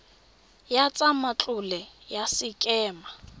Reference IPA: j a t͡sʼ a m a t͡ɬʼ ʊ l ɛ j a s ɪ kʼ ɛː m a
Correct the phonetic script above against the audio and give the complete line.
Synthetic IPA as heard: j a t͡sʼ a m a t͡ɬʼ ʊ l ɛ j a s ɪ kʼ ɛː m a